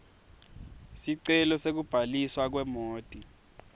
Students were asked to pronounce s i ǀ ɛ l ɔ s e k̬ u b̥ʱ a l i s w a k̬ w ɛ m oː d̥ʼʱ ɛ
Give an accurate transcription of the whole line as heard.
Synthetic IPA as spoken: s i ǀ ɛ l ɔ s e k̬ u b̥ʱ a l i s w a k̬ w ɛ m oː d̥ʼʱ i